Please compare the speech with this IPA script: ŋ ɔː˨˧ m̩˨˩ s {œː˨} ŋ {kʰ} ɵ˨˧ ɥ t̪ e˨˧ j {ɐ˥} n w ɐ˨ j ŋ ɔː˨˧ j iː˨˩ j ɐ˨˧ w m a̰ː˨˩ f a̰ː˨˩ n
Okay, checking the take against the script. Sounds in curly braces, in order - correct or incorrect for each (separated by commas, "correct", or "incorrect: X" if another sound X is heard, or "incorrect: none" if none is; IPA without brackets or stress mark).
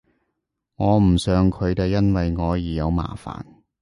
correct, correct, correct